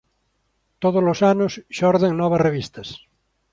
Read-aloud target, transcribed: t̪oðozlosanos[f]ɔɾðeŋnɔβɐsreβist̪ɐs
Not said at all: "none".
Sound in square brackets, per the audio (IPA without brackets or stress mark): ʃ